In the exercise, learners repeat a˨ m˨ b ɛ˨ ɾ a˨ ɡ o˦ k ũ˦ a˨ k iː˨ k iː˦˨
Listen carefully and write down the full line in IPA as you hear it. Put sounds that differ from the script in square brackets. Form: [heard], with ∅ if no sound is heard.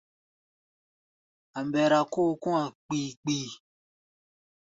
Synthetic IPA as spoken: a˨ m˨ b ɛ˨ ɾ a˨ [k] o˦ k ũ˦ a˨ [k͡p] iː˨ [k͡p] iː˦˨